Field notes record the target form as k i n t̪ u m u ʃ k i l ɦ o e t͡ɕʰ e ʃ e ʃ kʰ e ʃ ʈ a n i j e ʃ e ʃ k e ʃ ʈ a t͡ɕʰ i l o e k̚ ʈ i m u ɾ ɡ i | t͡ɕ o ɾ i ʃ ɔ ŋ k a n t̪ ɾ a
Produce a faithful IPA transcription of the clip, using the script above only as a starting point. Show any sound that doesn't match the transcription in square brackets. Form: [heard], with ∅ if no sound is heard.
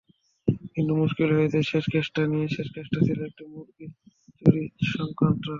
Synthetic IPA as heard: k i n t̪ u m u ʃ k i l ɦ o e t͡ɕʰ e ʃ e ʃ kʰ e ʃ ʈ a n i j e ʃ e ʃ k e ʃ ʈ a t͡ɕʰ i l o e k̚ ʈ i m u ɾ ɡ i | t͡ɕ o ɾ i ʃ ɔ ŋ k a n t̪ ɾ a